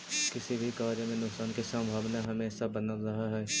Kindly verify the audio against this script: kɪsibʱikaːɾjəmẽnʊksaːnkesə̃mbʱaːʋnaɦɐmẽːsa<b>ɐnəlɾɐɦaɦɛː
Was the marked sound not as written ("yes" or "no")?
no